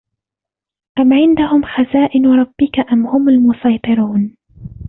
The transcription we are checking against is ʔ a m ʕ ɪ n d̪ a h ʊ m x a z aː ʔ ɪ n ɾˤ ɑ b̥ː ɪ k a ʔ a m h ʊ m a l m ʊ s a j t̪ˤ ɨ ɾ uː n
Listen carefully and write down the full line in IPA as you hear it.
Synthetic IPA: ʔ a m ʕ ɪ n d̪ a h ʊ m x a z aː ʔ ɪ n ɾˤ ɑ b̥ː ɪ k a ʔ a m h ʊ m a l m ʊ s ɑ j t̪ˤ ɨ ɾ uː n